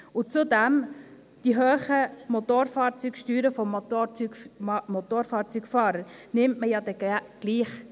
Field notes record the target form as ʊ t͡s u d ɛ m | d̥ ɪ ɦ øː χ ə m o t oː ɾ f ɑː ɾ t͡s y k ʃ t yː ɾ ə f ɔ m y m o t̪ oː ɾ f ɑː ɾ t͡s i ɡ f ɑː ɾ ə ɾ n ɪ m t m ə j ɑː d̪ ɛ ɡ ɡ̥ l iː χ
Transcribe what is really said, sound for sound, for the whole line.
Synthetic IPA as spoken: ʊ t͡s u d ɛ m | d̥ i ɦ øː χ ə m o t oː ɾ f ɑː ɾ t͡s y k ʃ t yː ɾ ə f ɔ m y m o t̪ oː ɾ f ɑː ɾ t͡s y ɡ f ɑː ɾ ə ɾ n ɪ m t m ə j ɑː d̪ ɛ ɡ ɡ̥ l iː χ

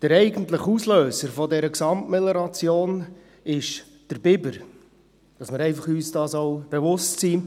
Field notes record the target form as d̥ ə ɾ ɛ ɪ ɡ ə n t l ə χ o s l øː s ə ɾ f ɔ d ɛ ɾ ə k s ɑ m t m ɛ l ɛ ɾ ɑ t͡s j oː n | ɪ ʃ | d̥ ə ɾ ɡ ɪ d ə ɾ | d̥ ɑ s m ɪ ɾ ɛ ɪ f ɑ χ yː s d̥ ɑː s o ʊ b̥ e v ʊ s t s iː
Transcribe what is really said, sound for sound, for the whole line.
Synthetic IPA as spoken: d̥ ə ɾ ɛ ɪ ɡ ə n t l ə χ u s l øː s ə ɾ f ɔ d ɛ ɾ ə k s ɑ m t m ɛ l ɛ ɾ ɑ t͡s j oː n | ɪ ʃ | d̥ ə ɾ b ɪ b ə ɾ | d̥ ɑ s m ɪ ɾ ɛ ɪ f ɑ χ yː s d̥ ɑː s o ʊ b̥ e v ʊ s t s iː

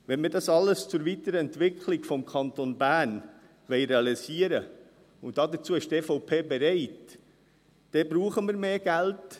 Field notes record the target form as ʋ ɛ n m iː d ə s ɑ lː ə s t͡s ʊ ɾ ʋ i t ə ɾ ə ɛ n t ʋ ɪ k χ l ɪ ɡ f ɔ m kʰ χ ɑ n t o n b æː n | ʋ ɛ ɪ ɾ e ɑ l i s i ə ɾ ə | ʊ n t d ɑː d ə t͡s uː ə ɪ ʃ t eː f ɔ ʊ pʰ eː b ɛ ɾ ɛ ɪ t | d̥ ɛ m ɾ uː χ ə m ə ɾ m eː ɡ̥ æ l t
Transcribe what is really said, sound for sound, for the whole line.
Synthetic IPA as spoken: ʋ ɛ n m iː d ɑ s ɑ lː ə s t͡s ʊ ɾ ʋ i t ə ɾ ə ɛ n t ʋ ɪ k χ l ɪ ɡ f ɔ m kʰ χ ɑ n t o n b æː n | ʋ ɛ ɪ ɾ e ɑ l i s i ə ɾ ə | ʊ n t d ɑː d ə t͡s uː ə ɪ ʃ t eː f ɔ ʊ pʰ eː b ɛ ɾ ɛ ɪ t | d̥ ɛ b ɾ uː χ ə m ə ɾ m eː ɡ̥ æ l t

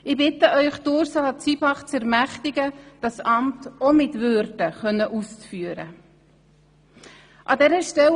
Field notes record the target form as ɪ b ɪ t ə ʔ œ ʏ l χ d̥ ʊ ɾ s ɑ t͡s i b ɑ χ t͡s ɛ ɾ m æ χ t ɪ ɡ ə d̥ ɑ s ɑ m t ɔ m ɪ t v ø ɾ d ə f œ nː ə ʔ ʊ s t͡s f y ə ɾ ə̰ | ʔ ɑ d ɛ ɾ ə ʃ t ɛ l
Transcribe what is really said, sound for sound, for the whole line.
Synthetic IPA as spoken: ɪ b ɪ t ə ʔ œ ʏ χ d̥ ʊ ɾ s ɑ t͡s i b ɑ χ t͡s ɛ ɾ m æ χ t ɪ ɡ ə d̥ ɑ s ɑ m t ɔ m ɪ t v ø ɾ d ə χ œ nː ə ʔ u s t͡s f y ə ɾ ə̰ | ʔ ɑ d ɛ ɾ ə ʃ t ɛ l

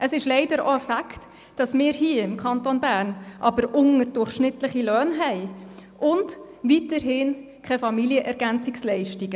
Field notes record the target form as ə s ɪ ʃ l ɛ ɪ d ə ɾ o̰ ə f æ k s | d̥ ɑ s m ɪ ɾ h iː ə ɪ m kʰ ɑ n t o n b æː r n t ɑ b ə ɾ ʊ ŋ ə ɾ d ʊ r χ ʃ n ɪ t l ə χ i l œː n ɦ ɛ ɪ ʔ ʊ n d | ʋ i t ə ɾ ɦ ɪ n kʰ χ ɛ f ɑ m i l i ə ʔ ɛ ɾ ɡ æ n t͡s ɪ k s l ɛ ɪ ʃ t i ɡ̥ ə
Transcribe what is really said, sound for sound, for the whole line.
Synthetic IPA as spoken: ə s ɪ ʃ l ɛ ɪ d ə ɾ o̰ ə f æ k t | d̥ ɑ s m ɪː ɾ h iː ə ɪ m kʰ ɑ n t o n b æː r n ʔ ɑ b ə ɾ ʊ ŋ ə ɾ d ʊ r χ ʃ n ɪ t l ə χ i l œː n ɦ ɛ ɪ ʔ ʊ n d | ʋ i t ə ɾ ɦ ɪ n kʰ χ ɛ f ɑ m i l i ə ʔ ɛ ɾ ɡ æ n t͡s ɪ k s l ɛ ɪ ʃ t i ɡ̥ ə

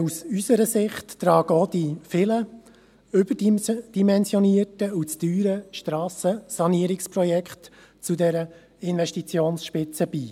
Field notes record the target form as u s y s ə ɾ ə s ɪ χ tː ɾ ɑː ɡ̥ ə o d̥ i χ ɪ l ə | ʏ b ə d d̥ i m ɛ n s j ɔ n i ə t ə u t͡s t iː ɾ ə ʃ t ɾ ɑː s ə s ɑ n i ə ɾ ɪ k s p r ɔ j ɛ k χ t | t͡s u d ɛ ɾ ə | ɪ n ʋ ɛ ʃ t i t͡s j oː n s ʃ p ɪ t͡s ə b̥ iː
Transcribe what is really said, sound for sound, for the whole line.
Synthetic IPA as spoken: u s y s ə ɾ ə s ɪ χ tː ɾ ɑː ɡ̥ ə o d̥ i f ɪ l ə | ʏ b ə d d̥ i m ɛ n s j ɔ n i ə t ə u t͡s t yː ɾ ə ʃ t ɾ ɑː s ə s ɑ n i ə ɾ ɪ k s p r ɔ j ɛ k χ t | t͡s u d ɛ ɾ ə | ɪ n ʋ ɛ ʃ t i t͡s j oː n s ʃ p ɪ t͡s ə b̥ iː

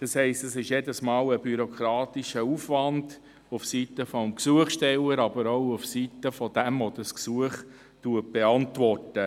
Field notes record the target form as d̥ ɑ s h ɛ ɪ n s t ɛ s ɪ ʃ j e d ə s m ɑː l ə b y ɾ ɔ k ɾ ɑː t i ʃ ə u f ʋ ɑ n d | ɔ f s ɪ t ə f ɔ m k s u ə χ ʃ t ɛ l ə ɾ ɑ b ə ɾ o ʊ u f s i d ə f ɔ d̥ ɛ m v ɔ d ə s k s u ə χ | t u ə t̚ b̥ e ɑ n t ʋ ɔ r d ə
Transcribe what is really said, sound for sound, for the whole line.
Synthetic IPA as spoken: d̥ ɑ s h ɛ ɪ s t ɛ s ɪ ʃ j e d ə s m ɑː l ə b y ɾ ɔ k ɾ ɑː t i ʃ ə u f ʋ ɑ n d | u f s i t ə f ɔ m k s u ə χ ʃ t ɛ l ə ɾ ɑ b ə ɾ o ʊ u f s i t ə f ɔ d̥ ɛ m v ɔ d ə s k s u ə χ | t u ə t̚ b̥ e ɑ n t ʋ ɔ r t ə

